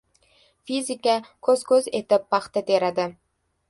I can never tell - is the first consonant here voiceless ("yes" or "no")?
yes